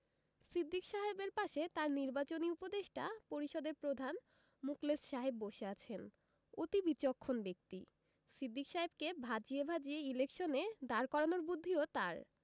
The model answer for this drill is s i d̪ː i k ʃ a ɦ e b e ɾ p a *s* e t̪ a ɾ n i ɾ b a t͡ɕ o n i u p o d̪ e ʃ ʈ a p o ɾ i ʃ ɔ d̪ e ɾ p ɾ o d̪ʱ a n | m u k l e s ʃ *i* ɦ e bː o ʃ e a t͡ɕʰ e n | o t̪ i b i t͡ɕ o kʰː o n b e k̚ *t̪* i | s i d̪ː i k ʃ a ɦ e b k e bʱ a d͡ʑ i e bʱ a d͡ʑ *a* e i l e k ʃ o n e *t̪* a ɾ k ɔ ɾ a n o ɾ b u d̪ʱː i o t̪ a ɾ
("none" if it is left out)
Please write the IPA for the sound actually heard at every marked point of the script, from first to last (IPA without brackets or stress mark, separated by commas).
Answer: ʃ, a, t̪, i, d̪